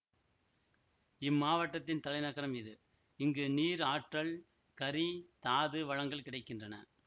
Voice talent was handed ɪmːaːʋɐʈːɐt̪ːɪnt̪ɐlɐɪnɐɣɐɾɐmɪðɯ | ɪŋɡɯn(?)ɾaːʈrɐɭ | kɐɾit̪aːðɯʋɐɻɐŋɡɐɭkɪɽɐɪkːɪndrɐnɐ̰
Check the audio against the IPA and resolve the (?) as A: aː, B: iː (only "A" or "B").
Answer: B